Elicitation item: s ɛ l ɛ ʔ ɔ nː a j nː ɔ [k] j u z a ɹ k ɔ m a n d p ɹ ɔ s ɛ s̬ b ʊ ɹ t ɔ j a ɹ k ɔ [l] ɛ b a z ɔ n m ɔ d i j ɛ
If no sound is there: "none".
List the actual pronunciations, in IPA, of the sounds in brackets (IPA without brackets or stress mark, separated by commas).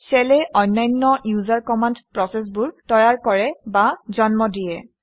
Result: none, ɹ